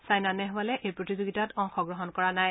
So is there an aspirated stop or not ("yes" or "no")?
no